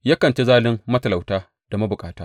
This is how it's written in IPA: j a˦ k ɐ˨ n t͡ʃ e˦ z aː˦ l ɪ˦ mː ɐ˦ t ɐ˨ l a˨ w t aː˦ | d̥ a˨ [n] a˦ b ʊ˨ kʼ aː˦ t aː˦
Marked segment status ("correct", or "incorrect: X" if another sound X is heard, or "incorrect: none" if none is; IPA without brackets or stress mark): incorrect: m